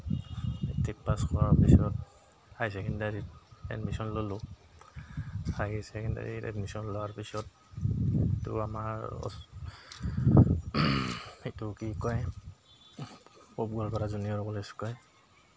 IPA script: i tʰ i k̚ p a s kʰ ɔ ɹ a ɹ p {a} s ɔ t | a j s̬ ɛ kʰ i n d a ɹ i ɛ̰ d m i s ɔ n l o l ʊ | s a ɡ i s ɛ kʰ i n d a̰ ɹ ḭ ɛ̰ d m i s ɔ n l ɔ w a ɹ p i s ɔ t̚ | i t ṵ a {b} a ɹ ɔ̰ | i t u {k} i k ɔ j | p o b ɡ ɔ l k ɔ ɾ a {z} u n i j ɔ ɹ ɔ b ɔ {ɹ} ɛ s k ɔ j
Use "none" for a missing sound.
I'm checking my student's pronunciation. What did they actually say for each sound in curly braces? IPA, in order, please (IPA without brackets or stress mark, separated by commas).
i, m, k, z, l